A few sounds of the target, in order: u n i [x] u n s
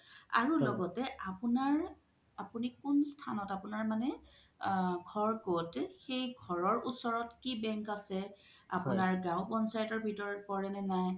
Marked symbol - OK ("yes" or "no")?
no